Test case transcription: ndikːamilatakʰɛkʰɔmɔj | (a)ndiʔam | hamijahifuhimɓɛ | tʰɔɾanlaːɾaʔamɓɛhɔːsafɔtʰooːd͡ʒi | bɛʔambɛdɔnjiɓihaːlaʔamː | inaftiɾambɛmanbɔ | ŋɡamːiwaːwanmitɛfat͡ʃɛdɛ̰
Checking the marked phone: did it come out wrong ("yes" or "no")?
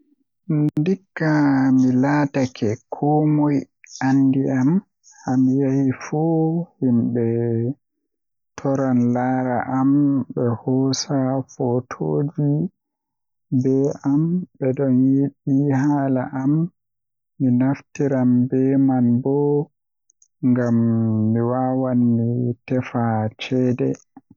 no